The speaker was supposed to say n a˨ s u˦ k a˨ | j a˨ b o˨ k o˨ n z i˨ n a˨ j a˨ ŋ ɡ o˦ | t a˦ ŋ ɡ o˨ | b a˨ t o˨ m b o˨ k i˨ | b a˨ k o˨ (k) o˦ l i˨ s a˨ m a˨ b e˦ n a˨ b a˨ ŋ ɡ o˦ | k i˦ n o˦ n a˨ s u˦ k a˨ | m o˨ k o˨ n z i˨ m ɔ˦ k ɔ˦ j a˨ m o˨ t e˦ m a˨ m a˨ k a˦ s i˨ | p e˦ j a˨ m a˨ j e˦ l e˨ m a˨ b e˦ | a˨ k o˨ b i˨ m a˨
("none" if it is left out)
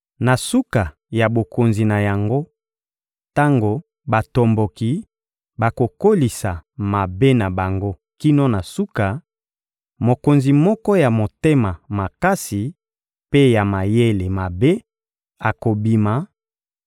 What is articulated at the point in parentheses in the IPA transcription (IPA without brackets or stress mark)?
k